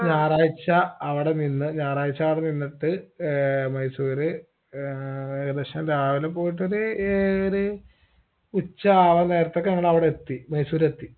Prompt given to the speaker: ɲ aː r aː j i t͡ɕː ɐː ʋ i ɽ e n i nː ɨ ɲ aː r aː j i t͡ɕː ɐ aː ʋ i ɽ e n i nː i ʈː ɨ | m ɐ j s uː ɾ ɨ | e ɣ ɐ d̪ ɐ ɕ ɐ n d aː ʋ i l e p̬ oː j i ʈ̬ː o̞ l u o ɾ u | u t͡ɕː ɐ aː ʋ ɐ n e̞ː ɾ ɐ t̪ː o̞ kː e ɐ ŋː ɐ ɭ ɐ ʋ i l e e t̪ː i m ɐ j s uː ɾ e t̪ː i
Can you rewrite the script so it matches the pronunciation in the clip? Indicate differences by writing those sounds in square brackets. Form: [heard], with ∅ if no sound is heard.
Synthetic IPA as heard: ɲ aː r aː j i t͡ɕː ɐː ʋ i ɽ e n i nː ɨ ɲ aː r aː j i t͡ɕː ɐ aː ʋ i ɽ e n i nː i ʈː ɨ | m ɐ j s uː ɾ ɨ | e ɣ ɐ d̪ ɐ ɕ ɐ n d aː ʋ i l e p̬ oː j i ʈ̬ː o̞ [ɾ] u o ɾ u | u t͡ɕː ɐ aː ʋ ɐ n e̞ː ɾ ɐ t̪ː o̞ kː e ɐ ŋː ɐ ɭ ɐ ʋ i [ɽ] e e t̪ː i m ɐ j s uː ɾ e t̪ː i